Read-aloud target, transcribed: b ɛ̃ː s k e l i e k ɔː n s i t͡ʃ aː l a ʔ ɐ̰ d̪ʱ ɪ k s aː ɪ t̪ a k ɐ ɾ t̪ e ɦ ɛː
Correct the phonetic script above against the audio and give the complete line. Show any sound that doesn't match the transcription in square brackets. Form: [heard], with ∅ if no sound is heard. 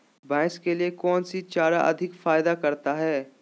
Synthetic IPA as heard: b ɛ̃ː s k e l i e k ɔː n s i t͡ʃ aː [ɾ] a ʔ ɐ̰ d̪ʱ ɪ k [f] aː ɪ [d̪] a k ɐ ɾ t̪ [a] ɦ ɛː